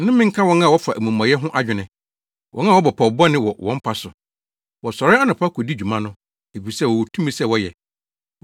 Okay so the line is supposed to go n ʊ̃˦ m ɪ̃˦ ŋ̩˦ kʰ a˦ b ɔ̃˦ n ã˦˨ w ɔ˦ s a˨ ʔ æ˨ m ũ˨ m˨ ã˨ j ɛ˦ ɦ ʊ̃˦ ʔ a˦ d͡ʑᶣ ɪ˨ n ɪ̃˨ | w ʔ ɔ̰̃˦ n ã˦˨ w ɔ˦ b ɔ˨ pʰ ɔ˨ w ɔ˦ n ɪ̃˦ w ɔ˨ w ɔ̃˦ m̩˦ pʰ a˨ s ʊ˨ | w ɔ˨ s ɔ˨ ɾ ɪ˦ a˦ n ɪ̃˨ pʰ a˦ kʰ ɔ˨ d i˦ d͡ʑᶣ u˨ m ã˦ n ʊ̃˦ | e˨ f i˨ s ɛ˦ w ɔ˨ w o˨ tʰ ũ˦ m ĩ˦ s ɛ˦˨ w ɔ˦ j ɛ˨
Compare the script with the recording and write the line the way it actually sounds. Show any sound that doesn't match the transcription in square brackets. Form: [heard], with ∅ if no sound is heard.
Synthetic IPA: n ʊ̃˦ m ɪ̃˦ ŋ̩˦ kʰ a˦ [w] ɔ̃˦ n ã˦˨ w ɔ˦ [f] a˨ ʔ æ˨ m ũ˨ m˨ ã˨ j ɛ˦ ɦ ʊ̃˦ ʔ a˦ d͡ʑᶣ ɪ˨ n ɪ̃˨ | w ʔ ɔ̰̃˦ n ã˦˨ w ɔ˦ b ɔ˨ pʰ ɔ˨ [b] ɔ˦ n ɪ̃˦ w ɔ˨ w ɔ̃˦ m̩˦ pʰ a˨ s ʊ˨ | w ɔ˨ s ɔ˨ ɾ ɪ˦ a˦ n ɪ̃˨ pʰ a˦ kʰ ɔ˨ d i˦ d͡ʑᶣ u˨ m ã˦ n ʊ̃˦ | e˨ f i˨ s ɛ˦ w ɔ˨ w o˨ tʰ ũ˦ m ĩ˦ s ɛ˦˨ w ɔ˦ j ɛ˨